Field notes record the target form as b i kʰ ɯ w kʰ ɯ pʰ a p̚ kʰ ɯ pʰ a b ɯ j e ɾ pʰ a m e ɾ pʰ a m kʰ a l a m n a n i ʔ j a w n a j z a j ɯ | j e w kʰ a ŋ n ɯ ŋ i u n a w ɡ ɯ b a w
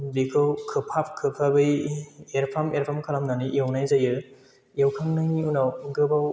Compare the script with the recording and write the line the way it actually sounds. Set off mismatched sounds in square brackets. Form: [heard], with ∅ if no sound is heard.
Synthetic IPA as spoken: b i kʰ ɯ w kʰ ɯ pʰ a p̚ kʰ ɯ pʰ a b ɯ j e ɾ pʰ a m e ɾ pʰ a m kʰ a l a m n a n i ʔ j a w n a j z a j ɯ | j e w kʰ a ŋ n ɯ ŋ i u n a w ɡ ɯ b a w